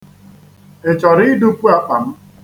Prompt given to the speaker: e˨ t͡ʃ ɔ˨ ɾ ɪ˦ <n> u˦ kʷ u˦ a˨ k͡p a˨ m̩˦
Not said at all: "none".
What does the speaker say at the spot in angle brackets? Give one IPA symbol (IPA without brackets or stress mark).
d